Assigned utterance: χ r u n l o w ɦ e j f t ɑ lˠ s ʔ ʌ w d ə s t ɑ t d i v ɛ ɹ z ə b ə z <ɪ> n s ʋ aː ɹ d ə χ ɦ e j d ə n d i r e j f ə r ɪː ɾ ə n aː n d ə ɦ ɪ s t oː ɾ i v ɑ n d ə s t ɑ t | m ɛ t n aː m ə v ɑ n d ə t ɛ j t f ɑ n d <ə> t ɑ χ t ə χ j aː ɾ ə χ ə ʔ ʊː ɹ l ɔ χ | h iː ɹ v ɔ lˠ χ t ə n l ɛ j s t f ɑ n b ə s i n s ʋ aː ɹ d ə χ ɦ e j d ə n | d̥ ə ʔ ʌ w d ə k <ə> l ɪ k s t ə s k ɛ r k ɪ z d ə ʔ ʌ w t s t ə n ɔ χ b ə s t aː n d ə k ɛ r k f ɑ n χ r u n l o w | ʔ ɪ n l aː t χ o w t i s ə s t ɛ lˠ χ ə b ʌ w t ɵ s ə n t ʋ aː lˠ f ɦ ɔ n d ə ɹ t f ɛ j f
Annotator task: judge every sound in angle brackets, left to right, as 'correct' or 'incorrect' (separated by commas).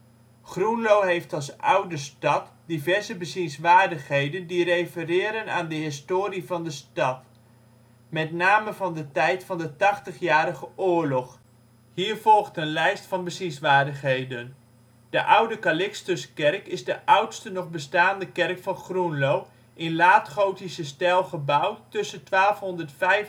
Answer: incorrect, correct, incorrect